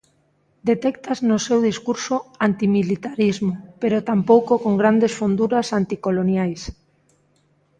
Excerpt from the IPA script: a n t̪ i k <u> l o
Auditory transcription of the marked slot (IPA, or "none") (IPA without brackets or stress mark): o